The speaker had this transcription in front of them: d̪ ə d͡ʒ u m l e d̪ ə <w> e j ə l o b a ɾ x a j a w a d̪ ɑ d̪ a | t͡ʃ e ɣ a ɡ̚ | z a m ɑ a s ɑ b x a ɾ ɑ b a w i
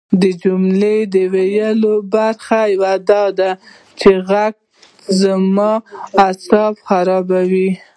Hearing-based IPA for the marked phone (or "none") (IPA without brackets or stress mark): w